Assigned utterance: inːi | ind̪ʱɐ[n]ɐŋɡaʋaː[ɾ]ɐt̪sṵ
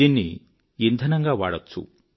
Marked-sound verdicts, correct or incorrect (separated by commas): correct, incorrect